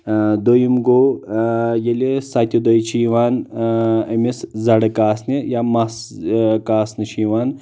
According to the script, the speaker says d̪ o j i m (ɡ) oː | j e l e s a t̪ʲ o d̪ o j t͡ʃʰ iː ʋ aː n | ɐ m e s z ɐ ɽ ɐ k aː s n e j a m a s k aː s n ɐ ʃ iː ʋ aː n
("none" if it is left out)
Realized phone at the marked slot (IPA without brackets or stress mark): ɡ